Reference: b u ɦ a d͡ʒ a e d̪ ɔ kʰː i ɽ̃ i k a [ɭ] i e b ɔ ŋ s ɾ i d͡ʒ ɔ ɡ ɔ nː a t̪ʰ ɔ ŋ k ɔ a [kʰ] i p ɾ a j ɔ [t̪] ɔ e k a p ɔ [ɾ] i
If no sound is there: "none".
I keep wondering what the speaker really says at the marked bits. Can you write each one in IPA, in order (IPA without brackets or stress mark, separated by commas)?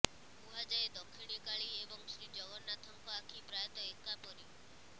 ɭ, kʰ, t̪, ɾ